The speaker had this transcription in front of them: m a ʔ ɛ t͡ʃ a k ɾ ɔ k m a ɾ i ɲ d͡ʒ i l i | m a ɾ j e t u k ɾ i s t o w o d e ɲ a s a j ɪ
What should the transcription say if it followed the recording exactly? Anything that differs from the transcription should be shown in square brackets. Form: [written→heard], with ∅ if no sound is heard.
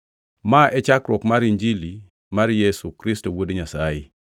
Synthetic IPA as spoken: m a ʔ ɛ t͡ʃ a k ɾ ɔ k m a ɾ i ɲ d͡ʒ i l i | m a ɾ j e [t→s] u k ɾ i s t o w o d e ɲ a s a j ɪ